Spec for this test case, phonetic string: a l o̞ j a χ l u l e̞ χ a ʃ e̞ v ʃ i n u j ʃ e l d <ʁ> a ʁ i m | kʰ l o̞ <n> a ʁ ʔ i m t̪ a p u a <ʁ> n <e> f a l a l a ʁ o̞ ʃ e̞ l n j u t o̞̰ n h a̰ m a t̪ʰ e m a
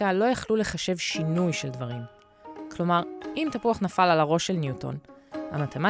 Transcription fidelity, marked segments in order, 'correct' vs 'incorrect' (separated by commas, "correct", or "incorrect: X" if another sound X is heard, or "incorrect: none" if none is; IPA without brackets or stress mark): incorrect: v, incorrect: m, incorrect: χ, incorrect: a